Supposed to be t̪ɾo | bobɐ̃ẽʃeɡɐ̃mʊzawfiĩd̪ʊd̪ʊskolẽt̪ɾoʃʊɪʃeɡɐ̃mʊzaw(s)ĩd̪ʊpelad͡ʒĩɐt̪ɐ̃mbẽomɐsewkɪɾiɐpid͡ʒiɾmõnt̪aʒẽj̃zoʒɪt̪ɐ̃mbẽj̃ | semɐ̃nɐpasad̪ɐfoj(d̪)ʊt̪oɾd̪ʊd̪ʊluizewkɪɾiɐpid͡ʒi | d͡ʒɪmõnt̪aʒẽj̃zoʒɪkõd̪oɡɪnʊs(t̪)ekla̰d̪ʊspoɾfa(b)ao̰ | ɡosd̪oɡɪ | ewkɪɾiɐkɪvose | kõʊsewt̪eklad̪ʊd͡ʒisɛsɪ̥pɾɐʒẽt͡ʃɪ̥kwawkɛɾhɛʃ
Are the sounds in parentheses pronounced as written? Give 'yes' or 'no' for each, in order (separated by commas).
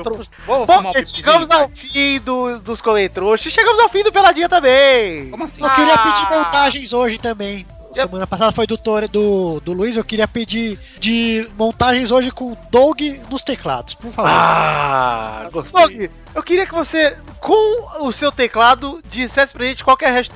no, yes, yes, no